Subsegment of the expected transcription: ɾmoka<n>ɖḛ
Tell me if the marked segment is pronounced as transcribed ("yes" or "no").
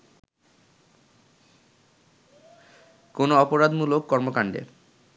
no